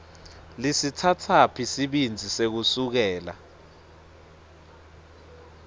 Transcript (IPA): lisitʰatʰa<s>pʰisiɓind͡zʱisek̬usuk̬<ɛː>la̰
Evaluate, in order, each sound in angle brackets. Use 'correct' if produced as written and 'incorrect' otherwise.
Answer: incorrect: none, correct

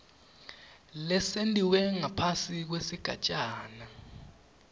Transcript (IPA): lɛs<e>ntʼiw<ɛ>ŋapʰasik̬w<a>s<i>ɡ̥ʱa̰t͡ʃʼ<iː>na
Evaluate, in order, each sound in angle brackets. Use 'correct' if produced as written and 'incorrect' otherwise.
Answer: correct, correct, incorrect: e, correct, incorrect: aː

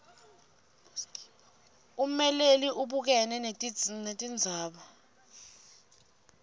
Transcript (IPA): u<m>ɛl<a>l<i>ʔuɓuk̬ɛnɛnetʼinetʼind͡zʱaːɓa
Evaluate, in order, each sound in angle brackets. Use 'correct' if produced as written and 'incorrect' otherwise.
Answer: correct, incorrect: e, correct

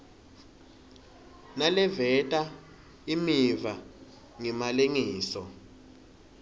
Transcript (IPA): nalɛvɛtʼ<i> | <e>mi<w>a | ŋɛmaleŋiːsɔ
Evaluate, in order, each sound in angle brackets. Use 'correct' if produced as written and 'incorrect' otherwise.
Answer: incorrect: a, incorrect: i, incorrect: v

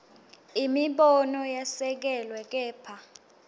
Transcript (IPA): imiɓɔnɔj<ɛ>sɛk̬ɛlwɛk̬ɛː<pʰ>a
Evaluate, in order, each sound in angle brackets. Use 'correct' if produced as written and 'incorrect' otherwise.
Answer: incorrect: a, correct

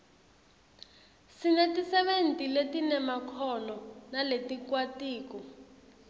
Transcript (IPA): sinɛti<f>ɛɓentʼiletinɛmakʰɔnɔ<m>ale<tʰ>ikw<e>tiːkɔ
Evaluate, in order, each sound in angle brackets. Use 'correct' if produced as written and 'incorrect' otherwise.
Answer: incorrect: s, incorrect: n, incorrect: t, incorrect: a

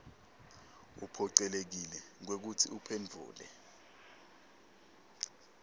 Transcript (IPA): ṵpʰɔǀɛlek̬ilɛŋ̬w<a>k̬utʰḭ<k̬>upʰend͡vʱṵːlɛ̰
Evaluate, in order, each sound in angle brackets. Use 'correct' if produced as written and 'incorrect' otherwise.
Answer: incorrect: e, incorrect: none

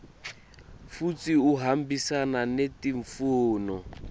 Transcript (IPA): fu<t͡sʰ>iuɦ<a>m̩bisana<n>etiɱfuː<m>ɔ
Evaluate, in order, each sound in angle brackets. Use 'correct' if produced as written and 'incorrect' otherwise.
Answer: incorrect: t͡s, correct, correct, incorrect: n

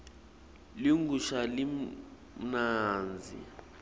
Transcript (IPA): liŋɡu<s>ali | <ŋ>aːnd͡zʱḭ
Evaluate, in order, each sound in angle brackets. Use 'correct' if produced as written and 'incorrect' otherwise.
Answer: incorrect: ʃ, incorrect: n

